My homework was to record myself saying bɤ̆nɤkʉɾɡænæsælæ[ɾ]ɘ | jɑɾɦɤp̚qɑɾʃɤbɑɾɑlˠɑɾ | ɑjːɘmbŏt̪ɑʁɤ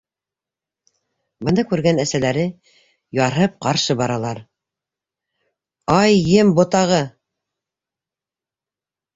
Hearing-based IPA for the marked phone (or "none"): ɾ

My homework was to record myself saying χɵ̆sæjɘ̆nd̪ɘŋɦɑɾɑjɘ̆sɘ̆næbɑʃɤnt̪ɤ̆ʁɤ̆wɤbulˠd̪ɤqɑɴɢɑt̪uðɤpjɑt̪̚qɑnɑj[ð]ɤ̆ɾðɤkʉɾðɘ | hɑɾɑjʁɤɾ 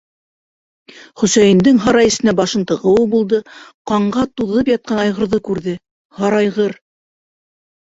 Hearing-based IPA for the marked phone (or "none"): ʁ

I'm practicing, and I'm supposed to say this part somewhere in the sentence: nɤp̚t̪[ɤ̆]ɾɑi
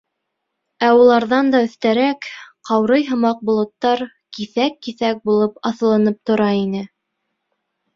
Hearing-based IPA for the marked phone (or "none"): ŏ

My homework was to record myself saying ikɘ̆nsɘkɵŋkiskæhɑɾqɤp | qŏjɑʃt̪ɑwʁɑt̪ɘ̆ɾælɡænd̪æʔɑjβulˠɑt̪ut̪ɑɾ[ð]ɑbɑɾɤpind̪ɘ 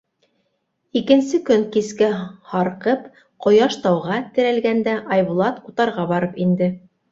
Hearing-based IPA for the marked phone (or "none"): ʁ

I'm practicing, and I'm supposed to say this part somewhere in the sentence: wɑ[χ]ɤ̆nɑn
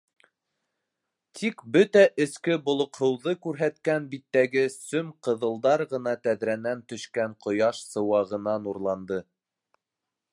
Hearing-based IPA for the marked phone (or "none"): ʁ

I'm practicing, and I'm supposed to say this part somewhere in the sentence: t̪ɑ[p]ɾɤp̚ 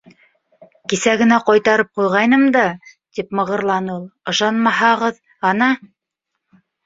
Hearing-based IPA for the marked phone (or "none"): none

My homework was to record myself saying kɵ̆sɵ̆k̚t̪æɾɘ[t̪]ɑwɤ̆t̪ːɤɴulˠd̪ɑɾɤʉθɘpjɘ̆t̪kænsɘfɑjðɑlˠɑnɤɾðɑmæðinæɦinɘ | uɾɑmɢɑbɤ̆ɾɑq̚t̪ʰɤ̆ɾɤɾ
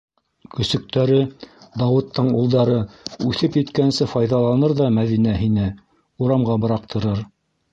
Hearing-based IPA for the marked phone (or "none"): d̪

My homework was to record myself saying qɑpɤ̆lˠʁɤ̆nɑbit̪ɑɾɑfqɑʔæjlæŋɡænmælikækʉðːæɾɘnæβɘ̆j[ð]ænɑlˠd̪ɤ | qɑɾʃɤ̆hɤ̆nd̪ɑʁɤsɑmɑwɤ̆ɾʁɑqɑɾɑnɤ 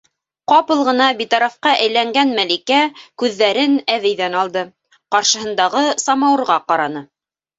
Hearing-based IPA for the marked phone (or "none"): ð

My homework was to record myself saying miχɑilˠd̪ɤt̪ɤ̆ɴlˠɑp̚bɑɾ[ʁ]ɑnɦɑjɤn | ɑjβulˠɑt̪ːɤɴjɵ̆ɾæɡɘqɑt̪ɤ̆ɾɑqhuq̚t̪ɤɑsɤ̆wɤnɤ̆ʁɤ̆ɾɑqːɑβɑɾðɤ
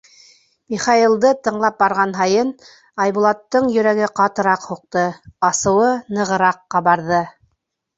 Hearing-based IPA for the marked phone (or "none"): ʁ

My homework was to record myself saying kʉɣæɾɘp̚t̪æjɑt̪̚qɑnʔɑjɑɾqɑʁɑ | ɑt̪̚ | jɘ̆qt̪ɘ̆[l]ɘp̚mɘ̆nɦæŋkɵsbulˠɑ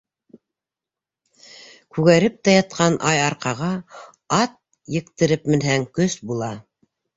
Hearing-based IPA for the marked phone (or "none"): ɾ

